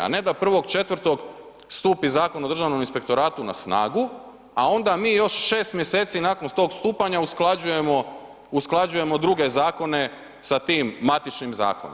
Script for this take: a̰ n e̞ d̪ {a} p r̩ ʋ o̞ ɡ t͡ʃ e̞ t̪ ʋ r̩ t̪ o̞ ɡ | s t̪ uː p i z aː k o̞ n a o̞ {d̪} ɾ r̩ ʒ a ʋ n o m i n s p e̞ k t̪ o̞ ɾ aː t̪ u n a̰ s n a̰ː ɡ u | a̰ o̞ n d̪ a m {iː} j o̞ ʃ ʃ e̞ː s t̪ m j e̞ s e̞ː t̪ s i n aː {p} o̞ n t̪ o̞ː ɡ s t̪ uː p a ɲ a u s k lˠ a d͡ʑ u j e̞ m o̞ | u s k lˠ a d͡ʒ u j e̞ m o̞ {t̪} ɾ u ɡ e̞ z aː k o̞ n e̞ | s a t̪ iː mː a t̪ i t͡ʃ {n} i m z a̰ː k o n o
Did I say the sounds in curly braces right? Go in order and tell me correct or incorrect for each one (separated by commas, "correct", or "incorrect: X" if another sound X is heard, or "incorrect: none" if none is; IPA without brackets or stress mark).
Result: correct, correct, correct, incorrect: k, incorrect: d̪, correct